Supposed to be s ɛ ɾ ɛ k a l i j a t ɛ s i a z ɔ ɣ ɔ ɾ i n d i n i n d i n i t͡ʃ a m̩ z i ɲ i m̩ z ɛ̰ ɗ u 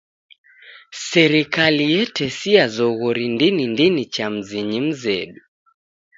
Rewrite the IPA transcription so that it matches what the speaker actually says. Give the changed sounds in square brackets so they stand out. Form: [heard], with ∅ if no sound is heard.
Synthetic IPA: s ɛ ɾ [i] k a l i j [ɛ] t ɛ s i a z ɔ ɣ ɔ ɾ i n d i n i n d i n i t͡ʃ a m̩ z i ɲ i m̩ z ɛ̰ ɗ u